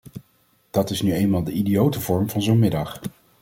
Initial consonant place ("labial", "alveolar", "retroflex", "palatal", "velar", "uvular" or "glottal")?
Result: alveolar